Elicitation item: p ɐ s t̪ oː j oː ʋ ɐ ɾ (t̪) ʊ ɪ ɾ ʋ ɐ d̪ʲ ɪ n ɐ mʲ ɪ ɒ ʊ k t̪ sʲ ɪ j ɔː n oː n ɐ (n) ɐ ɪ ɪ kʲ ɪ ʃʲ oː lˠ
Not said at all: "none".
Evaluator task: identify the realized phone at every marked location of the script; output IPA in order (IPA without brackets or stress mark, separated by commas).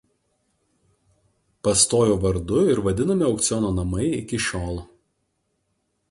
d̪, m